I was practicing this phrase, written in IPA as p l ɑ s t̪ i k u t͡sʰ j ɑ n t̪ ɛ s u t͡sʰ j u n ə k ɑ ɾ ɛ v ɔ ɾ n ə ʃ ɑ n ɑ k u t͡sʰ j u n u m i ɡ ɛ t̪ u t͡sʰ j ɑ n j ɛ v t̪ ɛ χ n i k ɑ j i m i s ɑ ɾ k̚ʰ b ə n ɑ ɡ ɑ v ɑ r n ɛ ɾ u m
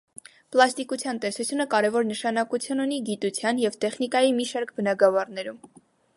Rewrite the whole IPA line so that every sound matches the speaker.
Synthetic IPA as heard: p l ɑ s t̪ i k u t͡sʰ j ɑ n t̪ ɛ s u t͡sʰ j u n ə k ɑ ɾ ɛ v ɔ ɾ n ə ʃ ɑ n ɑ k u t͡sʰ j u n u n i ɡ i t̪ u t͡sʰ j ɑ n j ɛ v t̪ ɛ χ n i k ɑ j i m i ʃ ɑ ɾ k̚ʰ b ə n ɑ ɡ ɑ v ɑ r n ɛ ɾ u m